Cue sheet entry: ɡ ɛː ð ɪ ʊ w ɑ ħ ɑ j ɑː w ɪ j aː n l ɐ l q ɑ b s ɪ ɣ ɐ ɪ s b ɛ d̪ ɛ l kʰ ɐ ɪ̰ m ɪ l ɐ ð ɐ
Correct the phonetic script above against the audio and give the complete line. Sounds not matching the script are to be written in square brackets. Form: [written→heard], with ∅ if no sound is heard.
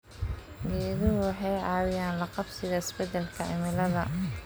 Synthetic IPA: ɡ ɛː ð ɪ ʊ w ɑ ħ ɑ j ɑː w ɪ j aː n l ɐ [l→∅] q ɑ b s ɪ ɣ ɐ ɪ s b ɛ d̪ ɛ l kʰ ɐ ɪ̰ m ɪ l ɐ ð ɐ